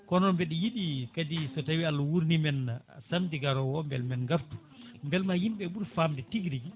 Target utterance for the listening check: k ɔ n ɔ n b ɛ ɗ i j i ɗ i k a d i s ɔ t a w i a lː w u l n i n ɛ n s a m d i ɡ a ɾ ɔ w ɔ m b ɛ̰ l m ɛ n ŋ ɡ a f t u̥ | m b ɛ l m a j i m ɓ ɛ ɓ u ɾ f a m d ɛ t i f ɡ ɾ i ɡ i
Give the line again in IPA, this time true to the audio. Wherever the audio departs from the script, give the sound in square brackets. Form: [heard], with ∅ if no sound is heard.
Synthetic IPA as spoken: k ɔ n ɔ n b ɛ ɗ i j i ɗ i k a d i s ɔ t a w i a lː w u [ɾ] n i [m] ɛ n s a m d i ɡ a ɾ ɔ w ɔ m b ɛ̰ l m ɛ n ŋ ɡ a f t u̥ | m b ɛ l m a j i m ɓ ɛ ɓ u ɾ f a m d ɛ t i [∅] ɡ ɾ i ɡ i